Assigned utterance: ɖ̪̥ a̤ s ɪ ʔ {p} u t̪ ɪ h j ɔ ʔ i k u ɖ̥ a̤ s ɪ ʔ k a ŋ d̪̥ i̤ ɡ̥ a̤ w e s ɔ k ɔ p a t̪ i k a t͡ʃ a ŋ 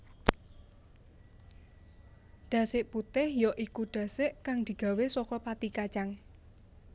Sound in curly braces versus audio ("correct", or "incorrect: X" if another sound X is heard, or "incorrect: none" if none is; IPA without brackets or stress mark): correct